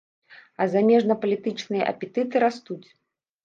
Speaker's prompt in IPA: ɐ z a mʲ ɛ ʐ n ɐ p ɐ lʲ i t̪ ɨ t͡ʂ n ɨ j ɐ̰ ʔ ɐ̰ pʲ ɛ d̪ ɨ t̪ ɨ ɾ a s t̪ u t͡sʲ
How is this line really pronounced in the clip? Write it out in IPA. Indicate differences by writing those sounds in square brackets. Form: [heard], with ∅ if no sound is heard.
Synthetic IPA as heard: ɐ z a mʲ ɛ ʐ n ɐ p ɐ lʲ i t̪ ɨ t͡ʂ n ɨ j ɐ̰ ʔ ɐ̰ pʲ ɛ [t̪] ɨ t̪ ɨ ɾ a s t̪ u t͡sʲ